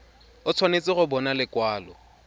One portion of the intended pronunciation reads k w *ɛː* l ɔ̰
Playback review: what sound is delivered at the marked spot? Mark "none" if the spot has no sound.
aː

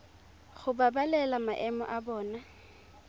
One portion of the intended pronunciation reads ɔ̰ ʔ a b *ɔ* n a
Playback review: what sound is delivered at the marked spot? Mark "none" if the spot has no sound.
ɔː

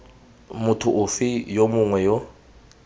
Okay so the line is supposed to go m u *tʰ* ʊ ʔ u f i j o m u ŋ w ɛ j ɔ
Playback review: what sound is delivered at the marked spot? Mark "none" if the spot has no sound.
tʰ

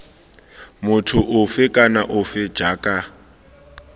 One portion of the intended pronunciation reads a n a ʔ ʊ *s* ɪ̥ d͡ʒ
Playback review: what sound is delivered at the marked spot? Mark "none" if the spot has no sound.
f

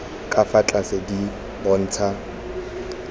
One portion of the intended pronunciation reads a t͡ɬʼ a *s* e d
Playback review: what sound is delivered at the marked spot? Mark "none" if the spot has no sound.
s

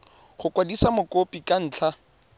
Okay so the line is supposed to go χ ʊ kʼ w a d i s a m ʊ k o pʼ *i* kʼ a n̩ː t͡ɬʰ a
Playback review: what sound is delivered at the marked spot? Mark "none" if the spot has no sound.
i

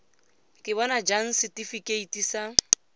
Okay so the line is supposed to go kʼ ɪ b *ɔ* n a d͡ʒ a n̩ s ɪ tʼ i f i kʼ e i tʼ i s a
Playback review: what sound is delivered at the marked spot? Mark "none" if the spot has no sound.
ɔ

